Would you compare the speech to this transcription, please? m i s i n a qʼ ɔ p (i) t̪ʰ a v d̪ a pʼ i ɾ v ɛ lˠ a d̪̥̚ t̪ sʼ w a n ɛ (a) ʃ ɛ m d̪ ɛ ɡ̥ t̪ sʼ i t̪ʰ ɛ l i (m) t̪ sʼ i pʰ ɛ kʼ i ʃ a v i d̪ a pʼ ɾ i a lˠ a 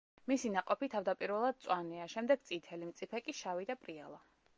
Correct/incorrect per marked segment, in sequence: correct, correct, correct

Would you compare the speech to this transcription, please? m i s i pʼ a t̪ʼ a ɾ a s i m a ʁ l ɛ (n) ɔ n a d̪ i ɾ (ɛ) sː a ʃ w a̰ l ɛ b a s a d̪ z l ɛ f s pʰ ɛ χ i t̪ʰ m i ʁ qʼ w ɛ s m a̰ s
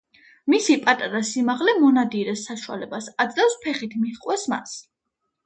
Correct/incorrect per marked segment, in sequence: incorrect, correct

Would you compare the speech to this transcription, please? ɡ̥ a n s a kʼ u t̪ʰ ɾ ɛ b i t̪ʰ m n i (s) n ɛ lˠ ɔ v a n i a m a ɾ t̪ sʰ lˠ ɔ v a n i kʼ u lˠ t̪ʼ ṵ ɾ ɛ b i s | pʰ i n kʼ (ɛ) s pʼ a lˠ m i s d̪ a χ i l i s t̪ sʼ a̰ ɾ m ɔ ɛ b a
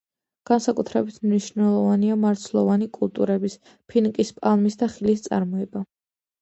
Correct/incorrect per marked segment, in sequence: incorrect, incorrect

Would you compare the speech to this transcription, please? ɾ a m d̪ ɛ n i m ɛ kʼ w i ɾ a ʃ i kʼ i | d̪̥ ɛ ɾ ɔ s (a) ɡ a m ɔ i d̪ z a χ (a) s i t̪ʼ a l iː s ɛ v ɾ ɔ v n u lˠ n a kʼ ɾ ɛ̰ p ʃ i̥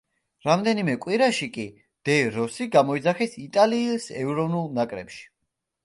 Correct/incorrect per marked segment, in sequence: incorrect, incorrect

